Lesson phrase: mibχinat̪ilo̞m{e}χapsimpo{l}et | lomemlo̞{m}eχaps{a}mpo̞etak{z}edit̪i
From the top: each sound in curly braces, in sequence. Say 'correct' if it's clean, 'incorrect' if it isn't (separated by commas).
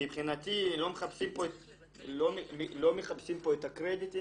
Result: correct, incorrect, correct, incorrect, incorrect